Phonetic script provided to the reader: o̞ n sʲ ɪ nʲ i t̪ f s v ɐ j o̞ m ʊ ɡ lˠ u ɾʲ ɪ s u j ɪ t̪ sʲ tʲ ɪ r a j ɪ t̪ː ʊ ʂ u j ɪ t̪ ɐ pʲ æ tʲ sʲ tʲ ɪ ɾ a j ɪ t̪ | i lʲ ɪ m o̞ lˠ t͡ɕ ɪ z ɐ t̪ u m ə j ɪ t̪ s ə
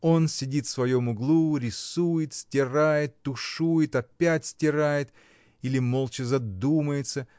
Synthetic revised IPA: o̞ n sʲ ɪ dʲ i t̪ f s v ɐ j o̞ m ʊ ɡ lˠ u ɾʲ ɪ s u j ɪ t̪ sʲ tʲ ɪ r a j ɪ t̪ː ʊ ʂ u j ɪ t̪ ɐ pʲ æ tʲ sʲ tʲ ɪ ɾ a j ɪ t̪ | i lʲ ɪ m o̞ lˠ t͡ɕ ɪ z ɐ d̪ u m ə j ɪ t̪ s ə